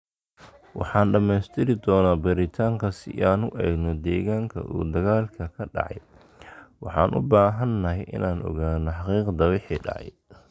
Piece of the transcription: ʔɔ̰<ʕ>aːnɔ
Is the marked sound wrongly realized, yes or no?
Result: yes